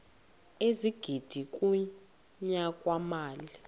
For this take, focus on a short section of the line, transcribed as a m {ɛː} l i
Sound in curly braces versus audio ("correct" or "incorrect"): incorrect